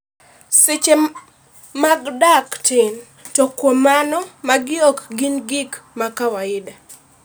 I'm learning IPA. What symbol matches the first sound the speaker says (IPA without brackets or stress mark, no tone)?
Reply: s